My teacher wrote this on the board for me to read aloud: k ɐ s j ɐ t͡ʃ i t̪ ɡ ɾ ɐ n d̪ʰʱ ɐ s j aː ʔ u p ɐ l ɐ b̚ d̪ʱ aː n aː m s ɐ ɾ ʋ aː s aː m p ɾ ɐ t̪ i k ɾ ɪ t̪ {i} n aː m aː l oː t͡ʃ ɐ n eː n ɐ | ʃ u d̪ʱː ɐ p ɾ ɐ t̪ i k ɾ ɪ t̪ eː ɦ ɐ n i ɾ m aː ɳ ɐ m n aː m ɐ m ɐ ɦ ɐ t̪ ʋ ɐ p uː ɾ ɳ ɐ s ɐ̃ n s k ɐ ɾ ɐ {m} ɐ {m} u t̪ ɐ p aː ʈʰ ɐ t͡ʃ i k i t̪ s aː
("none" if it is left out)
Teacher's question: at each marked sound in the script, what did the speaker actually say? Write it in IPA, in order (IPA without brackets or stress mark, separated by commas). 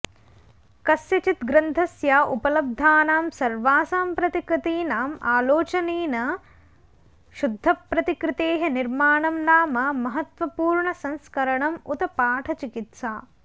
iː, ɳ, m